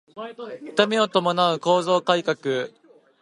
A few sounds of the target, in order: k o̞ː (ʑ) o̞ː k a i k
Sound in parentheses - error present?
yes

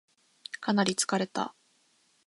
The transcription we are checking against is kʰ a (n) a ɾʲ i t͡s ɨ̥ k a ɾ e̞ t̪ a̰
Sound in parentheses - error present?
no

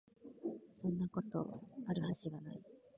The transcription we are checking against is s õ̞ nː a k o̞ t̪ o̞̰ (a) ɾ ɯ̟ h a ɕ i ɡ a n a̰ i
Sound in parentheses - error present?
no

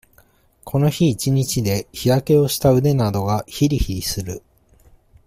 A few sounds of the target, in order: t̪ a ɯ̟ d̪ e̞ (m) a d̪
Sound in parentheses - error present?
yes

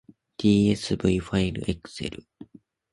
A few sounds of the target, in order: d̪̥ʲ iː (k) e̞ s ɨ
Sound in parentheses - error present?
yes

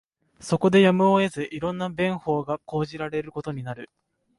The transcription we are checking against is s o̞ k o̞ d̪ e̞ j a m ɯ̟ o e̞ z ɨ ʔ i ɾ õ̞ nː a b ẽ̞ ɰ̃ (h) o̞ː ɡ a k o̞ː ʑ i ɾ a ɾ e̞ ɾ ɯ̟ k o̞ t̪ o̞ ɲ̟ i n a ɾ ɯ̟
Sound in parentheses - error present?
no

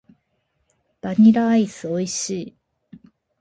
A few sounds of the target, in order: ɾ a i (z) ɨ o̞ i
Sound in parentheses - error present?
yes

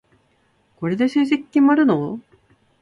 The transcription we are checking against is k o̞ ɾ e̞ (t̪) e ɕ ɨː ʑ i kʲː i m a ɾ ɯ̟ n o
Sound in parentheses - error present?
yes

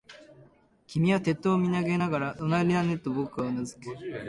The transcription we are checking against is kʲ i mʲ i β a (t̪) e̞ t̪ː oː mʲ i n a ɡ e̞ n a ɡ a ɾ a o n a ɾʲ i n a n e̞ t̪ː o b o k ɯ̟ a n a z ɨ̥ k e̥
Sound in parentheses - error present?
no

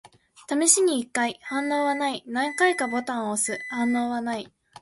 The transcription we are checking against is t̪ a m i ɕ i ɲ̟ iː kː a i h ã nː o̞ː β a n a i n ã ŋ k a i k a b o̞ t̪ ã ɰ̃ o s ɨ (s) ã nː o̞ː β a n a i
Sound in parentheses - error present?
yes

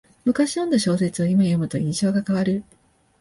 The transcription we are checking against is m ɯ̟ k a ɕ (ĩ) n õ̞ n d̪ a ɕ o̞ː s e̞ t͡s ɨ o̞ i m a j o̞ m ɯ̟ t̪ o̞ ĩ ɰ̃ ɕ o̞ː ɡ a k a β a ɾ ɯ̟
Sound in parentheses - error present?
yes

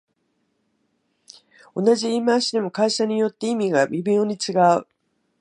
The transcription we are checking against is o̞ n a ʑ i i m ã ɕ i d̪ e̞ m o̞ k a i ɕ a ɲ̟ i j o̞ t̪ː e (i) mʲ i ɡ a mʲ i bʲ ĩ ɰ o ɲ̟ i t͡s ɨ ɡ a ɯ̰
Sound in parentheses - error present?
no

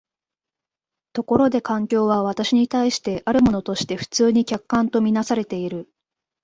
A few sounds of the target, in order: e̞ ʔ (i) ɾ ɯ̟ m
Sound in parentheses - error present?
yes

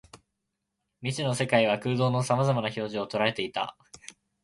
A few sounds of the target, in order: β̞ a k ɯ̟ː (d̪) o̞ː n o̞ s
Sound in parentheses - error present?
no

